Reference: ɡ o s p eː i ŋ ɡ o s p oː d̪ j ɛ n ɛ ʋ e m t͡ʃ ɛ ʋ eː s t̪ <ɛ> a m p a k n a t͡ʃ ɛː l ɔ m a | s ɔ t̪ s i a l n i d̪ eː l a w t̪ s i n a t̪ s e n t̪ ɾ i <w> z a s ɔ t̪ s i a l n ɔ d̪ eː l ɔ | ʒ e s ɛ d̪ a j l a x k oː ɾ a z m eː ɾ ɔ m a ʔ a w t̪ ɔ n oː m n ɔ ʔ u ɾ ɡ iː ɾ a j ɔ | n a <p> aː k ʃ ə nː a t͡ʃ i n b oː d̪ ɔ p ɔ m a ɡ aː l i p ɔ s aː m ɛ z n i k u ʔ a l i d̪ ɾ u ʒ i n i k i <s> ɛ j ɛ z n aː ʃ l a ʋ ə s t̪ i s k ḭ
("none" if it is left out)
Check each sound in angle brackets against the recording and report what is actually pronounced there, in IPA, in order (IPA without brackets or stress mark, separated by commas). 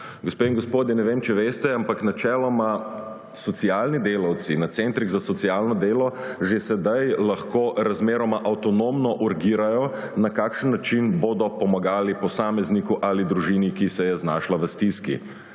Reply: ɛ, ɣ, k, s